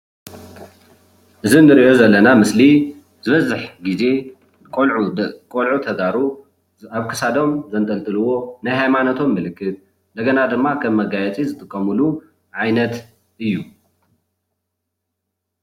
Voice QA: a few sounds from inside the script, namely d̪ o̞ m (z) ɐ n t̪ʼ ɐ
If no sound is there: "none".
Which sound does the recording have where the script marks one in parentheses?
z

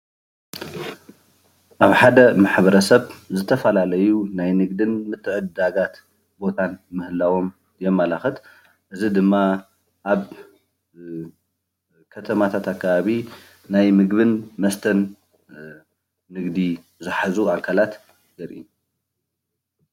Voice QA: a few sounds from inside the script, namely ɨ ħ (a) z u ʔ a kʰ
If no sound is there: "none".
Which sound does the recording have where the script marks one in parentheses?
a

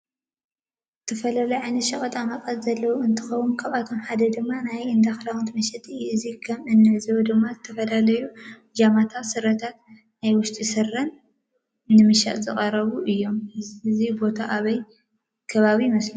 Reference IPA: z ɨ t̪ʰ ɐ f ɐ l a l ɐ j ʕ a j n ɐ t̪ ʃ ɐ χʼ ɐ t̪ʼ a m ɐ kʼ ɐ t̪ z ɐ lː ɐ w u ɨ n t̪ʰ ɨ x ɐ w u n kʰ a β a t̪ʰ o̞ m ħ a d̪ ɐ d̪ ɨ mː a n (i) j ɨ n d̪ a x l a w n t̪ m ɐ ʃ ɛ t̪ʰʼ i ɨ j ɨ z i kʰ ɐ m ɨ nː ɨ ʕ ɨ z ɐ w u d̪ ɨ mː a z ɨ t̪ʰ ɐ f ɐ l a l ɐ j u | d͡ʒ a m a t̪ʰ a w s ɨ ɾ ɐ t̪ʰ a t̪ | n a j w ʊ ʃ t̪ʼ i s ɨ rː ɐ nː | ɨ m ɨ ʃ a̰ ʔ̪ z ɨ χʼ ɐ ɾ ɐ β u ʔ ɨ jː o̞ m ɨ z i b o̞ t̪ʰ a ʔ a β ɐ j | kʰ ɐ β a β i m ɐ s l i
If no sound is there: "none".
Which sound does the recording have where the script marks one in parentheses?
a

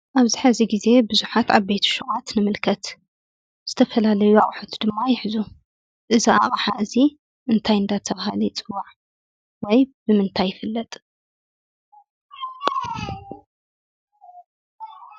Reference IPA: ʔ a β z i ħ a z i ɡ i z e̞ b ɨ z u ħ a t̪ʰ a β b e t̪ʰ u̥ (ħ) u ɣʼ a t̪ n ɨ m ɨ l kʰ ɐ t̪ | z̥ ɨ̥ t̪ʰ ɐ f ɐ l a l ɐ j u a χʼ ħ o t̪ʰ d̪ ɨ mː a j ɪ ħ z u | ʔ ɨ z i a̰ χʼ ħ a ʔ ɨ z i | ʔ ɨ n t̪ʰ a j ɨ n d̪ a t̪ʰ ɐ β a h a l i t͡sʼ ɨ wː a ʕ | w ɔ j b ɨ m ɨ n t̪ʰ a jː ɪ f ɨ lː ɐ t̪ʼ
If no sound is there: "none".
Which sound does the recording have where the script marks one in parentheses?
ʃ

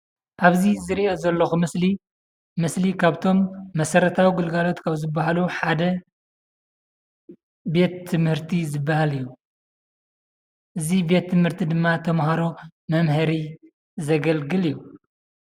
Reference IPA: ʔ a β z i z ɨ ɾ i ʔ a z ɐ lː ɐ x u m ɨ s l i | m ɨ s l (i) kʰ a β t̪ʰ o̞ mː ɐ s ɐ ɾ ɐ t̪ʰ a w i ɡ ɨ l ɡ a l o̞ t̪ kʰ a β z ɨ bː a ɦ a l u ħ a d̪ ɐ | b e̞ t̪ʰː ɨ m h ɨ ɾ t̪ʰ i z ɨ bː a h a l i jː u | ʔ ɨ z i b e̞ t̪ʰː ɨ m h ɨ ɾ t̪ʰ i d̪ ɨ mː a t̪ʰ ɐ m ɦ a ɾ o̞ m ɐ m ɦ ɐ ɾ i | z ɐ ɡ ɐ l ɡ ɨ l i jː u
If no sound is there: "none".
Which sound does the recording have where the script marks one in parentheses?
i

